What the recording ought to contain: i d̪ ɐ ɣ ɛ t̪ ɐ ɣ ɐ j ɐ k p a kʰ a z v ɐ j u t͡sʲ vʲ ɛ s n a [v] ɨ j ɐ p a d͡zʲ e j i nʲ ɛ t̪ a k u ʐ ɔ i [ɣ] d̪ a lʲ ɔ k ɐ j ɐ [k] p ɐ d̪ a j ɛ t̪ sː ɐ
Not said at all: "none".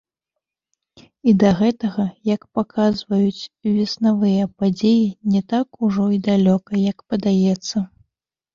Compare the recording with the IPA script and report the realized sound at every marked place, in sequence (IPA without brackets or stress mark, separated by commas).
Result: v, none, k